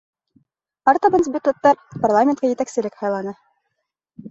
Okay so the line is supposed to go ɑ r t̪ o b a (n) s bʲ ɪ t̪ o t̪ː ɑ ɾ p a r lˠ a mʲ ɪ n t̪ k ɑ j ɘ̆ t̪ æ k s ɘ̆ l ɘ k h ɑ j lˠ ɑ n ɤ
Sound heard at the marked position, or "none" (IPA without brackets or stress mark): n